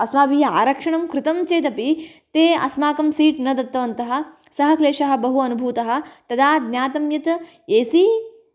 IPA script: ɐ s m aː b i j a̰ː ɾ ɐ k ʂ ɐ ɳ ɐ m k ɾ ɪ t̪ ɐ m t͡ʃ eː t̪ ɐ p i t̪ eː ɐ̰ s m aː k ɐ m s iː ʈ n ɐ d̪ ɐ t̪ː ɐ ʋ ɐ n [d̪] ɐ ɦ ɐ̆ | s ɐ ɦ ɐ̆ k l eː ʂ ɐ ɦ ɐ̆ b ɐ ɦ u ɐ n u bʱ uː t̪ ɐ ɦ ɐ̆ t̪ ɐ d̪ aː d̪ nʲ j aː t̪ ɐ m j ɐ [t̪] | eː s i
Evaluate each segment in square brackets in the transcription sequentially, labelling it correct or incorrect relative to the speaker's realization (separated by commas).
incorrect, correct